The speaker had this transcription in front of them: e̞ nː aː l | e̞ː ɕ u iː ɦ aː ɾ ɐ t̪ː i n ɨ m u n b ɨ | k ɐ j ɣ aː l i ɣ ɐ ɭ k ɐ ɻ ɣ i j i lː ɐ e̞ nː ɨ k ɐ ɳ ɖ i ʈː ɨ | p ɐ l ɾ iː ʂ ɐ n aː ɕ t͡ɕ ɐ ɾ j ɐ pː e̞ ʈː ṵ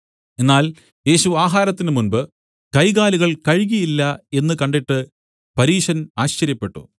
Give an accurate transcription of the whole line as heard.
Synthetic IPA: e̞ nː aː l | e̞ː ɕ u aː ɦ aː ɾ ɐ t̪ː i n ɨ m u n b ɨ | k ɐ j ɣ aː l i ɣ ɐ ɭ k ɐ ɻ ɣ i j i lː ɐ e̞ nː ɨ k ɐ ɳ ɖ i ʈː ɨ | p ɐ ɾ iː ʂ ɐ n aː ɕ t͡ɕ ɐ ɾ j ɐ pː e̞ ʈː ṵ